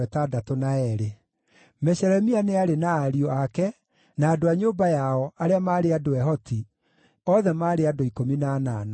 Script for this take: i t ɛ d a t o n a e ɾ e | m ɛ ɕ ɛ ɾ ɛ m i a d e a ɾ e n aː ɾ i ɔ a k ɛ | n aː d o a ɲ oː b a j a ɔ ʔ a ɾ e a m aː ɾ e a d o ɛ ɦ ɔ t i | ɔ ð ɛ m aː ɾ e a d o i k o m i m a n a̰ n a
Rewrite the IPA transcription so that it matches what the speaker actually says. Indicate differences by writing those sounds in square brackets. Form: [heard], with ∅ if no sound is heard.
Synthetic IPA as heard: [ɛ] t [a] d a t o n a [ɛ] ɾ e | m ɛ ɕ ɛ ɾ ɛ m i a [n] e a ɾ e n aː ɾ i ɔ a k ɛ | n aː d o a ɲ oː b a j a ɔ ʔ a ɾ e a m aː ɾ e a d o ɛ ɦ ɔ t i | ɔ ð ɛ m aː ɾ e a d o i k o m i [n] a n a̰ n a

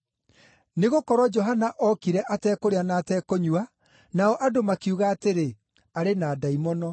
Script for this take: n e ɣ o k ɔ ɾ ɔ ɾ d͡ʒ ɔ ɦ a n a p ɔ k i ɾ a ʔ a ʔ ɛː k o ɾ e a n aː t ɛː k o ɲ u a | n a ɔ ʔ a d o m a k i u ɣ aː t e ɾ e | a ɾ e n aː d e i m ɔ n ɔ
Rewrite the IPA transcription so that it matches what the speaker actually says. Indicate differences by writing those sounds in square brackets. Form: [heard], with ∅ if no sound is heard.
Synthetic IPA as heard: n e ɣ o k ɔ ɾ ɔ [∅] d͡ʒ ɔ ɦ a n a [ʔ] ɔ k i ɾ [ɛ] ʔ a [t] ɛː k o ɾ e a n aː t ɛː k o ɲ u a | n a ɔ ʔ a d o m a k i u ɣ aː t e ɾ e | a ɾ e n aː d [a] i m ɔ n ɔ

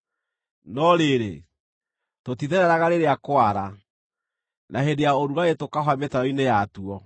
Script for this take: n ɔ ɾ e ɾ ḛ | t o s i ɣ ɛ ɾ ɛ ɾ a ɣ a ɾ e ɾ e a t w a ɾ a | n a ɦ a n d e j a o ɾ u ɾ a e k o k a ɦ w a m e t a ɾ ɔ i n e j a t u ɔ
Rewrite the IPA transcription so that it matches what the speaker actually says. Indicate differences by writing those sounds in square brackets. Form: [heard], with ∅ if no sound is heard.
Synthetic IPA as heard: n ɔ ɾ e ɾ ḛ | t o [t] i [ð] ɛ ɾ ɛ ɾ a ɣ a ɾ e ɾ e a [k] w a ɾ a | n a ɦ [e] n d e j a o ɾ u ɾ a e [t] o k a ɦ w a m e t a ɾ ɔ i n e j a t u ɔ

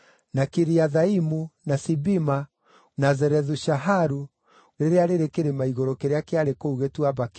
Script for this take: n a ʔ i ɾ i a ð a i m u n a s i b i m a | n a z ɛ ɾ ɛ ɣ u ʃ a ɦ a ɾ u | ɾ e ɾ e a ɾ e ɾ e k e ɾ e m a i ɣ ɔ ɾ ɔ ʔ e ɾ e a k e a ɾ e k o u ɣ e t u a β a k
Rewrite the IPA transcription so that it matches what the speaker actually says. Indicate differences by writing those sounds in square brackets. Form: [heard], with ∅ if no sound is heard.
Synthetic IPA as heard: n a [k] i ɾ i a ð a i m u n a s i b i m a | n a z ɛ ɾ ɛ [ð] u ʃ a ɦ a ɾ u | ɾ e ɾ e a ɾ e ɾ e k e ɾ e m a i ɣ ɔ ɾ ɔ [k] e ɾ e a k e a ɾ e k o u ɣ e t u a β a k

